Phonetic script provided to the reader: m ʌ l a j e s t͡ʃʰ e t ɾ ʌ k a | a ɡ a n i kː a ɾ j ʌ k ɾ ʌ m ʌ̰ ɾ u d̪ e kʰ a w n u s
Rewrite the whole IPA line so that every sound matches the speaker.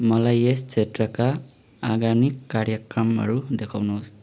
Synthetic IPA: m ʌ l a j e s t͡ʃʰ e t ɾ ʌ k a | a ɡ a n i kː a ɾ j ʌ k ɾ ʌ m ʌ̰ ɾ u d̪ e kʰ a w n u s